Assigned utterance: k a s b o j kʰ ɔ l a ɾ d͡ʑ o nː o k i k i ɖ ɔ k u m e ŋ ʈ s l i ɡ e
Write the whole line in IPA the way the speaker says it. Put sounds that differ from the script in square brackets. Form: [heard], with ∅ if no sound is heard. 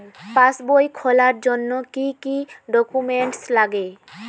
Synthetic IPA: [p] a s b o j kʰ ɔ l a ɾ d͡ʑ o nː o k i k i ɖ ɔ k u m e [ɳ] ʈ s l [a] ɡ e